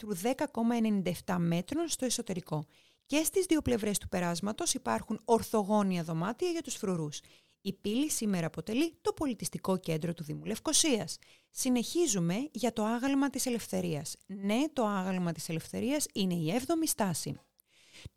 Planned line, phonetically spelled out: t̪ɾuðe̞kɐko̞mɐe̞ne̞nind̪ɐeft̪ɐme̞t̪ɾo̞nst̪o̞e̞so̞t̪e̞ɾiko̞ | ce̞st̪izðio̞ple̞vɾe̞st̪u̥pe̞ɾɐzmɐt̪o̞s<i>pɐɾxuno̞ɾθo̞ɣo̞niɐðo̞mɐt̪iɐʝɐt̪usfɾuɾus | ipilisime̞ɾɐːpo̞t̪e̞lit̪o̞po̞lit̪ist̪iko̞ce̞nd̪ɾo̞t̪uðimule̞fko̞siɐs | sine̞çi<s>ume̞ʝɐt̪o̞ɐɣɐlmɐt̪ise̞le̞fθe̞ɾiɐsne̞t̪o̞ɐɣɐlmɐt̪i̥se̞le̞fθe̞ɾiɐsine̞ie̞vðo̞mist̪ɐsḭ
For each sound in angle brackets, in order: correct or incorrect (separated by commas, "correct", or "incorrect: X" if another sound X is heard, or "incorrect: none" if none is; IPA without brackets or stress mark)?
correct, incorrect: z